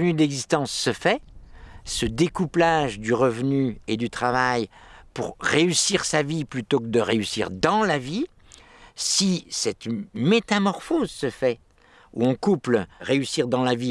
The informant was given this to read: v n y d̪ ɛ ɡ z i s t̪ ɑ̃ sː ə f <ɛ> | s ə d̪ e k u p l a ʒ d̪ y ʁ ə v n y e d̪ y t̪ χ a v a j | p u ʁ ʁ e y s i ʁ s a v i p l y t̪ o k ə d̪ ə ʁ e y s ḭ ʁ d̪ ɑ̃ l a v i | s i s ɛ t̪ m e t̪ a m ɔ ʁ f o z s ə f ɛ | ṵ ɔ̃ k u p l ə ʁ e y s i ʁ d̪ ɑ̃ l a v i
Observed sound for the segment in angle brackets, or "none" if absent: ɛ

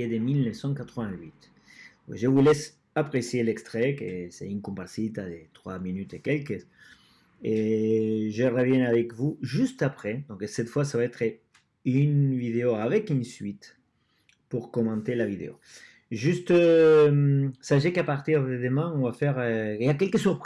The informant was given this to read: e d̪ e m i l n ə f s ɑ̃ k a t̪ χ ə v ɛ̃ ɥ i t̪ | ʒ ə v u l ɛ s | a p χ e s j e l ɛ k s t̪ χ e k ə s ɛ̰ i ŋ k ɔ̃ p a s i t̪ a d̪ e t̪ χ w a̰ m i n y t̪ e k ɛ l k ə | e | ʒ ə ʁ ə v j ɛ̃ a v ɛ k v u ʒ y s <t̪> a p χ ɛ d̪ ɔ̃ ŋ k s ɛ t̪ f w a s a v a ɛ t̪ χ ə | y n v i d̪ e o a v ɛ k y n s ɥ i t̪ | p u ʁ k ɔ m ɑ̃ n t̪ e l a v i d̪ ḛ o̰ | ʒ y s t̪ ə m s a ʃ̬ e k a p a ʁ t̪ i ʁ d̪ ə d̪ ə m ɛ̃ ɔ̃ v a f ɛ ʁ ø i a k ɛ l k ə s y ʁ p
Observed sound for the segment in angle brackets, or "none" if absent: t̪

